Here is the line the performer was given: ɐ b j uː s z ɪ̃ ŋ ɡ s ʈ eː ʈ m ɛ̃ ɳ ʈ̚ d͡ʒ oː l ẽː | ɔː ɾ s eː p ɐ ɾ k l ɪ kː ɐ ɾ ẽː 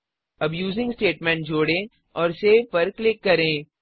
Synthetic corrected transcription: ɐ b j uː z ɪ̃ ŋ ɡ s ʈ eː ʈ m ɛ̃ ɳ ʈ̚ d͡ʒ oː ɽ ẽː | ɔː ɾ s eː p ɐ ɾ k l ɪ kː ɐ ɾ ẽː